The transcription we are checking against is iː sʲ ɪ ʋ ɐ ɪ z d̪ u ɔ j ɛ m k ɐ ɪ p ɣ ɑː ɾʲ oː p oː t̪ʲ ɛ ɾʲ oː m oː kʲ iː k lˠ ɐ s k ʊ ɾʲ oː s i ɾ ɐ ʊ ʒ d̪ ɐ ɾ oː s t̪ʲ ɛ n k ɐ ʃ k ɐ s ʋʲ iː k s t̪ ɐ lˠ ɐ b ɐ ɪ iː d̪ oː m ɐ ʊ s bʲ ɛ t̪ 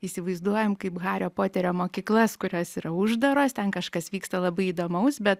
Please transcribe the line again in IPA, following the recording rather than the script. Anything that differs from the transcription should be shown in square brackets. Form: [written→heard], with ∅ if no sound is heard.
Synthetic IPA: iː sʲ ɪ ʋ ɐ ɪ z d̪ u ɔ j ɛ m k ɐ ɪ p ɣ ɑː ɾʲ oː p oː t̪ʲ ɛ ɾʲ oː m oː kʲ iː k lˠ ɐ s k ʊ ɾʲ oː s i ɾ ɐ ʊ ʒ d̪ ɐ ɾ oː s t̪ʲ ɛ n k ɐ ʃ k ɐ s ʋʲ iː k s t̪ ɐ lˠ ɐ b ɐ ɪ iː d̪ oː m ɐ ʊ s bʲ ɛ t̪